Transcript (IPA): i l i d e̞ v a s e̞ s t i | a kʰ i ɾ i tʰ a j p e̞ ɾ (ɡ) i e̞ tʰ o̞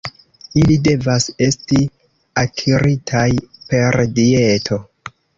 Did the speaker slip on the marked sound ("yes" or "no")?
yes